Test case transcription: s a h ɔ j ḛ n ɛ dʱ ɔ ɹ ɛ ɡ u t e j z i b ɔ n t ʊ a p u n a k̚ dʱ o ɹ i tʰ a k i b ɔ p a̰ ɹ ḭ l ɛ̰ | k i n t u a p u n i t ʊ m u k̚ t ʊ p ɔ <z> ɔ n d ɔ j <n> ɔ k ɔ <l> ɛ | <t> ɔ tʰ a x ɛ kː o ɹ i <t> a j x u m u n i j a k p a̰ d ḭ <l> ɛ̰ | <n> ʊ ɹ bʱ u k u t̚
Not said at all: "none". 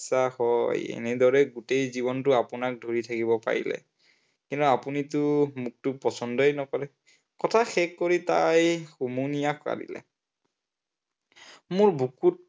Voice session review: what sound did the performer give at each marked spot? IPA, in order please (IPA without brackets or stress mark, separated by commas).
s, n, ɹ, k, t, l, m